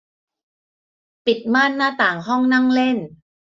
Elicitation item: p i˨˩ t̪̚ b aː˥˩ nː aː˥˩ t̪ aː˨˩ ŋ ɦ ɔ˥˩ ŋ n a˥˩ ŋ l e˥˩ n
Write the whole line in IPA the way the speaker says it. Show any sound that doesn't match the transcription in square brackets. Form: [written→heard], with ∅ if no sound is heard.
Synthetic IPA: p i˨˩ t̪̚ [b→m] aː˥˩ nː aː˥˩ t̪ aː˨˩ ŋ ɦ ɔ˥˩ ŋ n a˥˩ ŋ l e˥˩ n